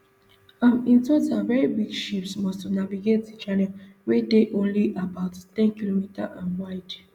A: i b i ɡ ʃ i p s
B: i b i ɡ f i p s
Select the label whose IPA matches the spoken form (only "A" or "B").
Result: A